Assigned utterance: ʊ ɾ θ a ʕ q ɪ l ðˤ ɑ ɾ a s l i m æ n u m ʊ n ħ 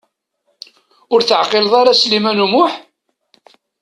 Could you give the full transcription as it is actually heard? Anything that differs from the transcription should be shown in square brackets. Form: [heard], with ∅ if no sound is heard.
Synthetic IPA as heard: ʊ ɾ θ [ə] ʕ q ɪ l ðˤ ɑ ɾ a s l i m æ n u m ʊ [∅] ħ